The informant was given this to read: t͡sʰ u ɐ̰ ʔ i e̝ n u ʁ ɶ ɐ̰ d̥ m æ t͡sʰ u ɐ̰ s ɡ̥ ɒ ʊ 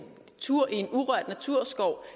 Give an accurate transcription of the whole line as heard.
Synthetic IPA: t͡sʰ u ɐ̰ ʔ i e̝ n u ʁ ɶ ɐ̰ d̥ n æ t͡sʰ u ɐ̰ s ɡ̥ ɒ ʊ